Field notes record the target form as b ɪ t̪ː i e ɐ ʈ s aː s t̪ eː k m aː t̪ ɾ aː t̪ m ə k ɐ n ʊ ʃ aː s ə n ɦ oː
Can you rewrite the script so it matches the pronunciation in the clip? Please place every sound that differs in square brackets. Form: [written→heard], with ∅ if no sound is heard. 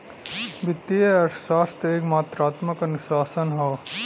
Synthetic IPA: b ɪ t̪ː i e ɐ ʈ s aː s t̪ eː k m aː t̪ ɾ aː t̪ m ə k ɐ n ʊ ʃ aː s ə n ɦ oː